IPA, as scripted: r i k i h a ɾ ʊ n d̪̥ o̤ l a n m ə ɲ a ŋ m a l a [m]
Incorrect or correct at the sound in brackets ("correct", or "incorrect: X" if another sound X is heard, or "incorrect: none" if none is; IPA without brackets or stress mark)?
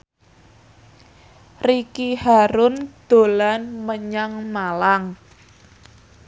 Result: incorrect: ŋ